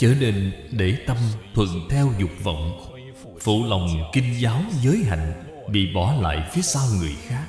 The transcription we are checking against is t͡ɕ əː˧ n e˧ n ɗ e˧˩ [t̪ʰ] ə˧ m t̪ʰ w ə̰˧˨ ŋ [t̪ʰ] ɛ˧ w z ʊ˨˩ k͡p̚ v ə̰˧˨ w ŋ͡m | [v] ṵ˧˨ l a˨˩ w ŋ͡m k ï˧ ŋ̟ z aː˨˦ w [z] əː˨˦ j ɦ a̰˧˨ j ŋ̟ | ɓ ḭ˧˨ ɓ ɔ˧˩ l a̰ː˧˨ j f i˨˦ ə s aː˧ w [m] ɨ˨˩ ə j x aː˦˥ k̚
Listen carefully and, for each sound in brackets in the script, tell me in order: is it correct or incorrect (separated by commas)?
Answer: incorrect, correct, incorrect, correct, incorrect